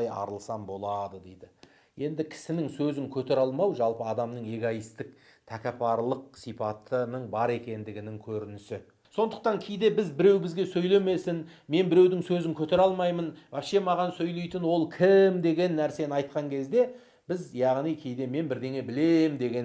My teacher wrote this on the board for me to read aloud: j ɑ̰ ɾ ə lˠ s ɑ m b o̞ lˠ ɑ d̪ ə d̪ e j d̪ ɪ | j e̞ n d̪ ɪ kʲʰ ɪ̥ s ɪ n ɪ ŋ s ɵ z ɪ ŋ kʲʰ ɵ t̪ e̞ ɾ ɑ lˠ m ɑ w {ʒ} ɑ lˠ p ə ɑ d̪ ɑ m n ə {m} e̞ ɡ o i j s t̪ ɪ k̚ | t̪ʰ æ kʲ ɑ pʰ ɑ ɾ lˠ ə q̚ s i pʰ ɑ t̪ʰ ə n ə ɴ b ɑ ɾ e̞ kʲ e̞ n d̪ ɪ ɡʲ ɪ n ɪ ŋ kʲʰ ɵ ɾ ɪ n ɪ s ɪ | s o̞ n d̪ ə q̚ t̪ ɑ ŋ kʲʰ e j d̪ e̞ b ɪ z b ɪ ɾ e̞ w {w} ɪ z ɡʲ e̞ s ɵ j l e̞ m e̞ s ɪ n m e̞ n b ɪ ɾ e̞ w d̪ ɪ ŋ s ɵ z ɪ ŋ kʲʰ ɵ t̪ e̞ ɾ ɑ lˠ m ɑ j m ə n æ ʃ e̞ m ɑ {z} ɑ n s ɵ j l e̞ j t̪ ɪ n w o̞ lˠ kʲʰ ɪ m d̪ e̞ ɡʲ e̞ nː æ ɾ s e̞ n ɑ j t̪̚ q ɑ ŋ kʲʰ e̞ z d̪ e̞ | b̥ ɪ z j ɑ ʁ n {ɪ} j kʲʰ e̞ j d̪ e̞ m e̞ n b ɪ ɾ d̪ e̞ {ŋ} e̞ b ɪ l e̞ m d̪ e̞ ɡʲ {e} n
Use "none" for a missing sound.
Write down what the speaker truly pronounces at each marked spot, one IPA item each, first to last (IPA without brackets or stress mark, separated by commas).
ʒ, ɴ, b, ʁ, i, ŋ, e